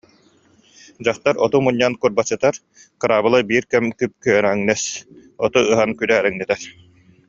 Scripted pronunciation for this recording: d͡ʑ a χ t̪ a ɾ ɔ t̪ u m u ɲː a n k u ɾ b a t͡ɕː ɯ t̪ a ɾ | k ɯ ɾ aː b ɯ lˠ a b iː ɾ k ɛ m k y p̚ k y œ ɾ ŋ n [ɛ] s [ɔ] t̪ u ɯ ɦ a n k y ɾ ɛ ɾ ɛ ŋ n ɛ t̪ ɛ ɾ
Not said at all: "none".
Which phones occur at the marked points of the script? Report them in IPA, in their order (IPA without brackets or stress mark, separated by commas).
ɛ, ɔ